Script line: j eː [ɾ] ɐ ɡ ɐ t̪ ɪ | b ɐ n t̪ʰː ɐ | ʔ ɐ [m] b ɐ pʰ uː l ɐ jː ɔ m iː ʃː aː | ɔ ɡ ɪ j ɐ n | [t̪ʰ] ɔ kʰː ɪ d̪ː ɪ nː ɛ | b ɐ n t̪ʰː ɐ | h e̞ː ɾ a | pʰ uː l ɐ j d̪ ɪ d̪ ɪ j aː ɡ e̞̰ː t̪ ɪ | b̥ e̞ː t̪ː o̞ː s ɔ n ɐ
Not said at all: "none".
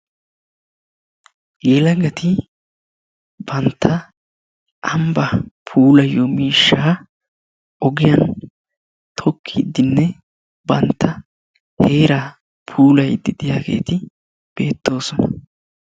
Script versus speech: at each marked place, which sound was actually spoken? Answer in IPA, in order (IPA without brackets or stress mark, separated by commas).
l, m, t̪ʰ